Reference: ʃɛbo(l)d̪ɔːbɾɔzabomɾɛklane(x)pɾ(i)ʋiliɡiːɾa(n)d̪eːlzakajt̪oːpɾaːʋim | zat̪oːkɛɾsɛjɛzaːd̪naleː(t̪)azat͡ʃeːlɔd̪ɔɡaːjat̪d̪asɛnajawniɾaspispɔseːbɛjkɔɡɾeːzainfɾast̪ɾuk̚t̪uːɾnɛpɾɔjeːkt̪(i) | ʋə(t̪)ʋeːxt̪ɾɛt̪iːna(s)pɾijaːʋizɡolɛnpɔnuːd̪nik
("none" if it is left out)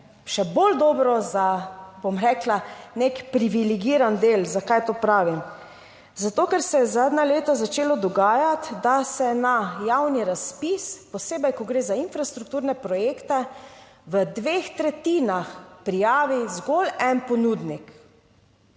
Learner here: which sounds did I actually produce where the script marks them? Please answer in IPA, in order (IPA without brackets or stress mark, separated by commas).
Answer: l, k, i, n, t̪, ɛ, d̪, x